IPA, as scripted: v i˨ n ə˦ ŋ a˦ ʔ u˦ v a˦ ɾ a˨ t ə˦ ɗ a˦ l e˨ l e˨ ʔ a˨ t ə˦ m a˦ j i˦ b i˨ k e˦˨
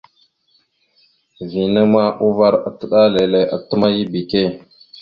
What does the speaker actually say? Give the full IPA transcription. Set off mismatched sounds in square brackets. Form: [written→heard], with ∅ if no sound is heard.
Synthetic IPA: v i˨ n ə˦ [ŋ→m] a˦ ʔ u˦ v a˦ ɾ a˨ t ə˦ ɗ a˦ l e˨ l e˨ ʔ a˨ t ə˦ m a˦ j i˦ b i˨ k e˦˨